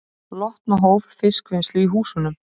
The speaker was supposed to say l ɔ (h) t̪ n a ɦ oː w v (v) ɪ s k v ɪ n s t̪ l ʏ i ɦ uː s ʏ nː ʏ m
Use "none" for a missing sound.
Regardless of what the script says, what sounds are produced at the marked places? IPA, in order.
h, f

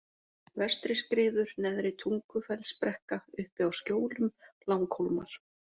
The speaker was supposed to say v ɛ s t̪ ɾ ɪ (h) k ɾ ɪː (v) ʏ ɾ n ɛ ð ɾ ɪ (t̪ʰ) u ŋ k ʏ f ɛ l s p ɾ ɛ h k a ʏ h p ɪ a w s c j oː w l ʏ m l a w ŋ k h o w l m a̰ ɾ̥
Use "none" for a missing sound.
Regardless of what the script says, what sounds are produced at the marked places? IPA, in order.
s, ð, t̪ʰ

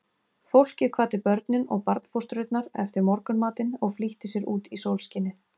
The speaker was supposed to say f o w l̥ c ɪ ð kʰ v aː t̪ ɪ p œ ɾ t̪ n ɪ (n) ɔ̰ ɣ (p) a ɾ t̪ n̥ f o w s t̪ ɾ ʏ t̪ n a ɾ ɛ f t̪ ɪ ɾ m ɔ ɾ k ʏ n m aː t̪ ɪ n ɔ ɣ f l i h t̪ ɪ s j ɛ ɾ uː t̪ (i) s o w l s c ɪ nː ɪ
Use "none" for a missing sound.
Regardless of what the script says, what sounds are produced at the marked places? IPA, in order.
n, p, i

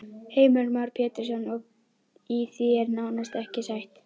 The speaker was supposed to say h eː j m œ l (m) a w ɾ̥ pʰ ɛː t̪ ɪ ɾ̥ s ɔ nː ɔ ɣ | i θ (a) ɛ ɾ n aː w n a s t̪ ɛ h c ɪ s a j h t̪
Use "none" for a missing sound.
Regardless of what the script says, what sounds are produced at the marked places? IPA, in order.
m, i

